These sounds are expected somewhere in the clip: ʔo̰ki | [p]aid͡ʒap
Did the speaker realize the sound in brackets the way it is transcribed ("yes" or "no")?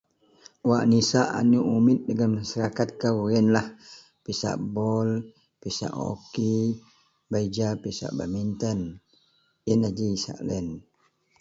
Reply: no